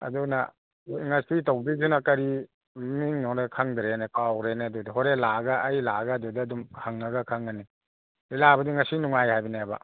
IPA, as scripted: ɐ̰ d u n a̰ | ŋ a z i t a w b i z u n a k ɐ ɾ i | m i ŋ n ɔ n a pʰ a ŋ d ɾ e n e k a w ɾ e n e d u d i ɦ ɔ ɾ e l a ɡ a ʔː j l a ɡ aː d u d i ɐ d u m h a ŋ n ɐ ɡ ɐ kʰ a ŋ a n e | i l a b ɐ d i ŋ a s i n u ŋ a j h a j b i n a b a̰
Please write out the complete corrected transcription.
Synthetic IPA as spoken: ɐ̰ d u n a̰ | ŋ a s i t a w b i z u n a k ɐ ɾ i | m i ŋ n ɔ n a kʰ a ŋ d ɾ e n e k a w ɾ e n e d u d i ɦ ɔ ɾ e l a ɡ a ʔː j l a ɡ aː d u d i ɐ d u m h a ŋ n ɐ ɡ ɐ kʰ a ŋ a n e | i l a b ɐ d i ŋ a s i n u ŋ a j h a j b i n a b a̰